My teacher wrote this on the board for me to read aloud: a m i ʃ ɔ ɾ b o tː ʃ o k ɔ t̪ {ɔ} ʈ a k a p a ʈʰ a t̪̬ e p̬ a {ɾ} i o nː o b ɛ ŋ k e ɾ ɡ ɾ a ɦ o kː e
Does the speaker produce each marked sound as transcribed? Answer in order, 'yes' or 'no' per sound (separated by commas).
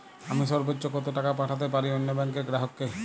no, yes